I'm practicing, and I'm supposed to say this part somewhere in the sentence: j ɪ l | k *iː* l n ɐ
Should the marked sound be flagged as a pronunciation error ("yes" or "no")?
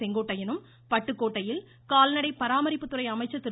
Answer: yes